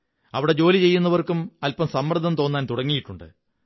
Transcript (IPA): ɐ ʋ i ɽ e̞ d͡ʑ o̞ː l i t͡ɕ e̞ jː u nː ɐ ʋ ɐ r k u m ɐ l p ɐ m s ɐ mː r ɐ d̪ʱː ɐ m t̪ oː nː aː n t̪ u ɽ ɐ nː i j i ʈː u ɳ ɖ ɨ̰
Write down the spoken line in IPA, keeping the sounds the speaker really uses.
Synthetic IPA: ɐ ʋ i ɽ e̞ d͡ʑ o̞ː l i t͡ɕ e̞ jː u nː ɐ ʋ ɐ r k u m ɐ l p ɐ m s ɐ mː r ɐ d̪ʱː ɐ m t̪ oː nː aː n t̪ u ɽ ɐ ŋː i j i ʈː u ɳ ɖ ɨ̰